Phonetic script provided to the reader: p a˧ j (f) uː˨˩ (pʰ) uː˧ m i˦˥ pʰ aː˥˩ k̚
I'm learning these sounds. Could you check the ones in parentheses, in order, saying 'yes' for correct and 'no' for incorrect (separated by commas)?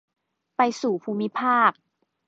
no, yes